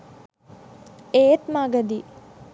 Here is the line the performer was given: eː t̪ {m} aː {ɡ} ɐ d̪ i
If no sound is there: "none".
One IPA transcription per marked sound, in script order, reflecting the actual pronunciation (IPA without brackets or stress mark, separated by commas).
m, ɡ